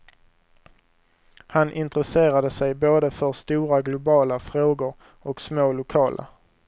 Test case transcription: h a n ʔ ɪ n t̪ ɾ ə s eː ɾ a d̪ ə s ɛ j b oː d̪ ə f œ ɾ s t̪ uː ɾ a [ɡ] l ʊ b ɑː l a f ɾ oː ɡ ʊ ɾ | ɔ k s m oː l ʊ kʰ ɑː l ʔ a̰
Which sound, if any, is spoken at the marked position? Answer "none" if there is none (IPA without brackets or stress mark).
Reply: ɡ